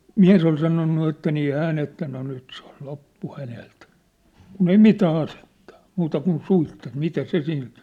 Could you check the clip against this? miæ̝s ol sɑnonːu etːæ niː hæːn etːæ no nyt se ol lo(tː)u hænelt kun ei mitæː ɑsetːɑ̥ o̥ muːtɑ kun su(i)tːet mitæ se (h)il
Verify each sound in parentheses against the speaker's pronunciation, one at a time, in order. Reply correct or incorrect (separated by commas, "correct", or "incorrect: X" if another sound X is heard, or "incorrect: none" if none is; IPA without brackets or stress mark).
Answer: incorrect: pː, correct, incorrect: s